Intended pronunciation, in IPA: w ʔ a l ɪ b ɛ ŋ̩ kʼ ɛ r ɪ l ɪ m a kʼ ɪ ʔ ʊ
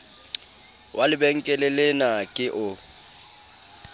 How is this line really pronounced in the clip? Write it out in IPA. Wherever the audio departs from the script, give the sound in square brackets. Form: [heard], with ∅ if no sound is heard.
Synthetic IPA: w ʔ a l ɪ b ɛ ŋ̩ kʼ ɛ [l] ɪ l ɪ [n] a kʼ ɪ ʔ ʊ